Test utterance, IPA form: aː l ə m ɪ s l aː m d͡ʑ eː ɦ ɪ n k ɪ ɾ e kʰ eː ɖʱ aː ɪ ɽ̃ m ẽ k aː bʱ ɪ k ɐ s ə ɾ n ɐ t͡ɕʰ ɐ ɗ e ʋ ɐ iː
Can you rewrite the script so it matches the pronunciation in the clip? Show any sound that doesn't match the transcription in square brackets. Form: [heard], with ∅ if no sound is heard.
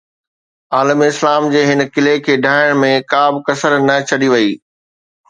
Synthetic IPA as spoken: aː l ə m ɪ s l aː m d͡ʑ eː ɦ ɪ n k ɪ [l] e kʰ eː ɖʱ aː ɪ ɽ̃ m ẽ k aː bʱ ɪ k ɐ s ə ɾ n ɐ t͡ɕʰ ɐ ɗ [i] ʋ ɐ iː